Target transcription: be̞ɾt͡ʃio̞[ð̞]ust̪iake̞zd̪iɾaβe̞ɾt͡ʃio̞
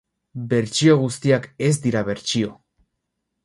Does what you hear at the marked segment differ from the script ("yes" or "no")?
yes